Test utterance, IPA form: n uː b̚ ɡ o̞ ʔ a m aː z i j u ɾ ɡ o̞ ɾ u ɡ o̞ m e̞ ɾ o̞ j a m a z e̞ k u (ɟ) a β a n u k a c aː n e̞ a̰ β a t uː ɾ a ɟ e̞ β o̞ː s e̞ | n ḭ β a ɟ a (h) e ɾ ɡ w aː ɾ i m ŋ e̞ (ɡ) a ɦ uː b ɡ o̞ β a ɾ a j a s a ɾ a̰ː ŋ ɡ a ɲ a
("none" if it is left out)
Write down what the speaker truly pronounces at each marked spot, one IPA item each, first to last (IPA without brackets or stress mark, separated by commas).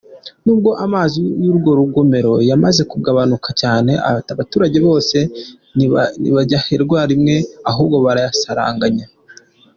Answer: ɡ, h, none